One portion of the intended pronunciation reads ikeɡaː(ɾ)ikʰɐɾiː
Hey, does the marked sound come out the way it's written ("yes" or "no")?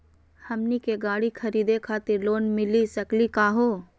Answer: no